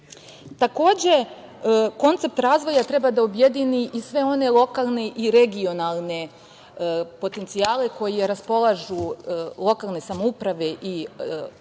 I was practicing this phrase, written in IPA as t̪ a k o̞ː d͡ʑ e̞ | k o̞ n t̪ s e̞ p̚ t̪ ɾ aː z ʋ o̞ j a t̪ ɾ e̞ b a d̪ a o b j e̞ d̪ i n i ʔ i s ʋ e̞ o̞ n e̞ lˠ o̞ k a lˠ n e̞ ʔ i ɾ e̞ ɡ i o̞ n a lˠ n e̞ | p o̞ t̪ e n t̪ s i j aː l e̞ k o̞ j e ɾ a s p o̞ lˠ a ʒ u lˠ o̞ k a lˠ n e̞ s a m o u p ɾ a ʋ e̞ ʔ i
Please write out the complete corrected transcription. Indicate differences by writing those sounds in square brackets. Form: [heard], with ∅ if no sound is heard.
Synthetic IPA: t̪ a k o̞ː d͡ʑ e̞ | k o̞ n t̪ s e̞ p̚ t̪ ɾ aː z ʋ o̞ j a t̪ ɾ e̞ b a d̪ a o b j e̞ d̪ i n i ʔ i s ʋ e̞ o̞ n e̞ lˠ o̞ k a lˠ n e̞ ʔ i ɾ e̞ ɡ i o̞ n a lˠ n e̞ | p o̞ t̪ e n t̪ s i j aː l e̞ k o̞ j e ɾ a s p o̞ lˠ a ʒ u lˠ o̞ k a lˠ n e̞ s a m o u p ɾ a ʋ e̞ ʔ i

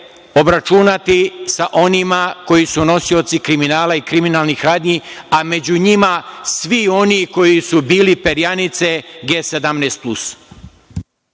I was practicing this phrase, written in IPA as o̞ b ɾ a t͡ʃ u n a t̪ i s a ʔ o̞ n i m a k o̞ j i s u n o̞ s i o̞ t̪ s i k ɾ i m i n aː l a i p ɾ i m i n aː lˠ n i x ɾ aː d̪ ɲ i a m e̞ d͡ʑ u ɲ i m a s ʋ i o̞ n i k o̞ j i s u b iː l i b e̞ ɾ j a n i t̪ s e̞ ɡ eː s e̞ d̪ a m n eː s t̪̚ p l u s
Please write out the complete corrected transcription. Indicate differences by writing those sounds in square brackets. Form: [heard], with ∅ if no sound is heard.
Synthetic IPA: o̞ b ɾ a t͡ʃ u n a t̪ i s a ʔ o̞ n i m a k o̞ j i s u n o̞ s i o̞ t̪ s i k ɾ i m i n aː l a i [k] ɾ i m i n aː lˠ n i x ɾ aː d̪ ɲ i a m e̞ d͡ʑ u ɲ i m a s ʋ i o̞ n i k o̞ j i s u b iː l i [p] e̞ ɾ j a n i t̪ s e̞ ɡ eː s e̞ d̪ a m n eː s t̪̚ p l u s

